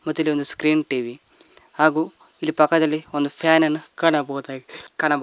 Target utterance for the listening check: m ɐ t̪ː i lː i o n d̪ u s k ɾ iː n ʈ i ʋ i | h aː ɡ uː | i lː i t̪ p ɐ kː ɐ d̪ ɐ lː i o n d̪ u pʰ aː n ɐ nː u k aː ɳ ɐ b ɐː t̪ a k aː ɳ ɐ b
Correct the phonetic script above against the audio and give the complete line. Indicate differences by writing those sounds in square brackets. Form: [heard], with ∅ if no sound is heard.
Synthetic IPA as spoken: m ɐ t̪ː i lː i o n d̪ u s k ɾ iː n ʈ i ʋ i | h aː ɡ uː | i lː i [∅] p ɐ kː ɐ d̪ ɐ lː i o n d̪ u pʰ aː n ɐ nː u k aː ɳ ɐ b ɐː t̪ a k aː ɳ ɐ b